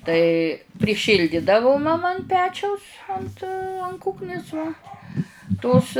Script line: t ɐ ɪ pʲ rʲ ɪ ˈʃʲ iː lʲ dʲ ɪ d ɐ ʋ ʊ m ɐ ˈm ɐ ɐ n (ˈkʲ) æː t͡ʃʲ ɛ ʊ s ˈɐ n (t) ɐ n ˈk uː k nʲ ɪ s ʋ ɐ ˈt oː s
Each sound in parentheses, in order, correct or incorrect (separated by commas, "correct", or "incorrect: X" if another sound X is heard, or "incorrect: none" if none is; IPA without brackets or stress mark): incorrect: pʲ, correct